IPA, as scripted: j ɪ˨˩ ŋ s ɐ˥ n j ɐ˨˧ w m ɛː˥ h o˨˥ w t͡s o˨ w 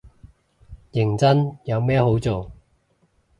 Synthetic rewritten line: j ɪ˨˩ ŋ t͡s ɐ˥ n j ɐ˨˧ w m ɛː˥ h o˨˥ w t͡s o˨ w